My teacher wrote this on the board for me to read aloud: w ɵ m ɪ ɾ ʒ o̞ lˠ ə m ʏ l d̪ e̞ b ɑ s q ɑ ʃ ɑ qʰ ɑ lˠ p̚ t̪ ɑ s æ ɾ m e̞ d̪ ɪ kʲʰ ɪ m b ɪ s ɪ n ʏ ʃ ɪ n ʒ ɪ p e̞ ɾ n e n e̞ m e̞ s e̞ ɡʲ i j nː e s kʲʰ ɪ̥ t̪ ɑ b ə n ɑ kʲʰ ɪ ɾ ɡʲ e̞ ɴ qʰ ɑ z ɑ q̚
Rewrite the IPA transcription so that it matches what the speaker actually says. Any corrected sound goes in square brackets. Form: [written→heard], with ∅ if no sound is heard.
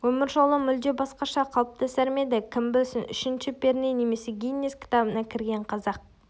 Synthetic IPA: w ɵ m ɪ ɾ ʒ o̞ lˠ ə m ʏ l d̪ e̞ b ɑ s q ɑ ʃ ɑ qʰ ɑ lˠ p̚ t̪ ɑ s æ ɾ m e̞ d̪ ɪ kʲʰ ɪ m b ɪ s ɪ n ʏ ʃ ɪ n [ʒ→ʃ] ɪ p e̞ ɾ n e n e̞ m e̞ s e̞ ɡʲ i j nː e s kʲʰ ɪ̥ t̪ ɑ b ə n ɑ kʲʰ ɪ ɾ ɡʲ e̞ ɴ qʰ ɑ z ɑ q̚